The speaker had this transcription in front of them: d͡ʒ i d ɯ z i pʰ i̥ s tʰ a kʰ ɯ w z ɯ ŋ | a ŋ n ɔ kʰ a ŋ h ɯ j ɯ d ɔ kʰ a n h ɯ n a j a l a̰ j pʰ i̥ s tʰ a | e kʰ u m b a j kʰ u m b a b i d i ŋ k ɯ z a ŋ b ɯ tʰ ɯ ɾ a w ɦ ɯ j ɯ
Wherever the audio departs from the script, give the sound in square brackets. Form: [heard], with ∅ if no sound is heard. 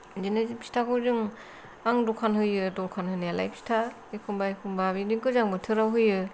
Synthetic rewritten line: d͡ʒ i [n] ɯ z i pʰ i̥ s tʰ a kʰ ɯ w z ɯ ŋ | a ŋ [d] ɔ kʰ a [n] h ɯ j ɯ d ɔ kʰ a n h ɯ n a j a l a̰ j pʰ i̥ s tʰ a | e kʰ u m b a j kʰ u m b a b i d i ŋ k ɯ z a ŋ b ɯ tʰ ɯ ɾ a w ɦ ɯ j ɯ